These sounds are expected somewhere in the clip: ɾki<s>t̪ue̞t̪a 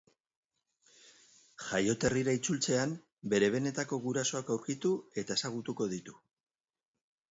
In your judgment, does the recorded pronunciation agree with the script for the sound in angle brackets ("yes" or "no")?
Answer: no